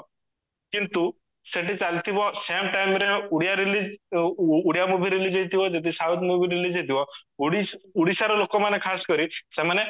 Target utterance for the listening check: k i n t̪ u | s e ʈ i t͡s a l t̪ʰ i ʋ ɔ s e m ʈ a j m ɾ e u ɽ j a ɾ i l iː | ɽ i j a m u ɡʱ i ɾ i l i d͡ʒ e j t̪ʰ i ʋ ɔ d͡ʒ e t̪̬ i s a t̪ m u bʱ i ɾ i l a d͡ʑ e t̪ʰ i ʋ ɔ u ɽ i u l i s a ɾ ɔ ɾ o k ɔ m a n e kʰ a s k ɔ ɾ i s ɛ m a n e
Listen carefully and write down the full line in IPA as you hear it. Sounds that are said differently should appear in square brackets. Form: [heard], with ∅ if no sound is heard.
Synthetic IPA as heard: k i n t̪ u | s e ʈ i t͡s a l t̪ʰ i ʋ ɔ s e m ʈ a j m ɾ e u ɽ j a ɾ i l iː | ɽ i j a m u [bʱ] i ɾ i l i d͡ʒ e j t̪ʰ i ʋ ɔ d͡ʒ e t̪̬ i s a t̪ m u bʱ i ɾ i l [i] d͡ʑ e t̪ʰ i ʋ ɔ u ɽ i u [ɽ] i s a ɾ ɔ [l] o k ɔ m a n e kʰ a s k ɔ ɾ i s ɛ m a n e